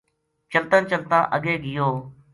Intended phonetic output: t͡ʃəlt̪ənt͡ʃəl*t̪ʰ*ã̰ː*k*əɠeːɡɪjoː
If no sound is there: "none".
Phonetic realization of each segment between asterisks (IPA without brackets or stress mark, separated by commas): t̪, ʔ